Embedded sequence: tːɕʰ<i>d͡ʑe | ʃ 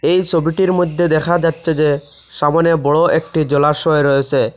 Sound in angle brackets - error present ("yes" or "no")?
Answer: yes